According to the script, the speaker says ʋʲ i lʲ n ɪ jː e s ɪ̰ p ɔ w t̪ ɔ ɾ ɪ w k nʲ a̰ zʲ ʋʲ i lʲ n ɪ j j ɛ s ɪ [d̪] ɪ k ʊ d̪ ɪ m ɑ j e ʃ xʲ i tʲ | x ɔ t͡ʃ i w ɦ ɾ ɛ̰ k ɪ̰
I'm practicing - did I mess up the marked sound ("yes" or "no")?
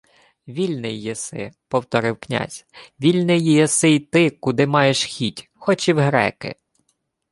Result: yes